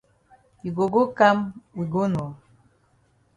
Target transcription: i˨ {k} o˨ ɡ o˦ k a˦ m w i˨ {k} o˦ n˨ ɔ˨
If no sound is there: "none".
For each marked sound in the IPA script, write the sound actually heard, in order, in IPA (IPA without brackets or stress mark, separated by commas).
ɡ, ɡ